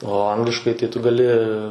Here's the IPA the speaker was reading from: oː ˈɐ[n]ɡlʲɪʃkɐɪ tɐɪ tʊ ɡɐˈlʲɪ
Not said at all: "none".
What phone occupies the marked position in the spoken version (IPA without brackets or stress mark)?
ŋ